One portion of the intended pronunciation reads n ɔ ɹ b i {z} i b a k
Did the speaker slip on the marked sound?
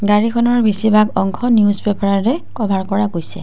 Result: yes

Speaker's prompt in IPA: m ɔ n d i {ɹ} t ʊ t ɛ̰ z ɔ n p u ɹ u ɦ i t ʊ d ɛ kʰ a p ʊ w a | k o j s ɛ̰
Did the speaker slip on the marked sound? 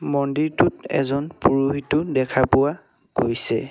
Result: no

